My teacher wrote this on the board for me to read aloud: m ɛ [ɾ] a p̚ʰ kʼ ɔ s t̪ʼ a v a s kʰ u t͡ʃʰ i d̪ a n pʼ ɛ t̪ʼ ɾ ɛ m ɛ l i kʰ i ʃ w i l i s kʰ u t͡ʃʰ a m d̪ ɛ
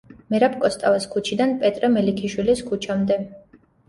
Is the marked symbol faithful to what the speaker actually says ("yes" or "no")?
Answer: yes